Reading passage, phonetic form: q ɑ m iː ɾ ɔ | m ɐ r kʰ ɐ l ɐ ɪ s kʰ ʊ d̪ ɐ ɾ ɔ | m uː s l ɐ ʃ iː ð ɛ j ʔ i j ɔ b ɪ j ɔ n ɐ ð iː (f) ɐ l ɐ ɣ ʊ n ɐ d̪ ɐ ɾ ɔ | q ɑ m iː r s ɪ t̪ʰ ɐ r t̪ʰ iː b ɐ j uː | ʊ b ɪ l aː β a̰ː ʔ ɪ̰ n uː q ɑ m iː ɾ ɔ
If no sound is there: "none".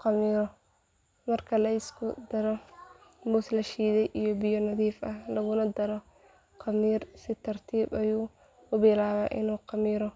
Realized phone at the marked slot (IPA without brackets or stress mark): f